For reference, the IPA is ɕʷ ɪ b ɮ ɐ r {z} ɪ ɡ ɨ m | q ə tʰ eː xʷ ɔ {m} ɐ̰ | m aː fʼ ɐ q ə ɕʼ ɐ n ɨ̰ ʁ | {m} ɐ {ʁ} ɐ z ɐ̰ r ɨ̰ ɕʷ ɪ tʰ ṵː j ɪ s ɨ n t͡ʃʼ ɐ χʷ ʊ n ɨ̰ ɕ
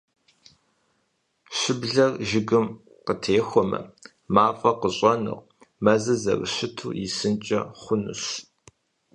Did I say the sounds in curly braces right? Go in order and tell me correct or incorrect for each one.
incorrect, correct, correct, incorrect

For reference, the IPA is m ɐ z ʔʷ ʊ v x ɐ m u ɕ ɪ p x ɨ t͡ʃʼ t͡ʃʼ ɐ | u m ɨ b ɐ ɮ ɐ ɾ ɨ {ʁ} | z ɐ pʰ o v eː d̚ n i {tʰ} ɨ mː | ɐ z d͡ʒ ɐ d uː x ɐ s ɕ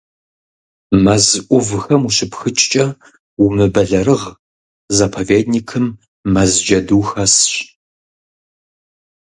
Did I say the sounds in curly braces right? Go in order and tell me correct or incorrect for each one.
correct, incorrect

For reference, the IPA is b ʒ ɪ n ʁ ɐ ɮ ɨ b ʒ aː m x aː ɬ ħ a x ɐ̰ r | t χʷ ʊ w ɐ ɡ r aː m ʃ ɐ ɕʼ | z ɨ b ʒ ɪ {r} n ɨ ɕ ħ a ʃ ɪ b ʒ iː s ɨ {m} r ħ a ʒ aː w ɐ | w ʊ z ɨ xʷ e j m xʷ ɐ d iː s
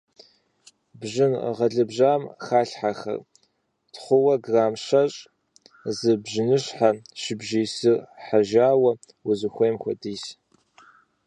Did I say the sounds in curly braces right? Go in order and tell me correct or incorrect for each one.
incorrect, incorrect

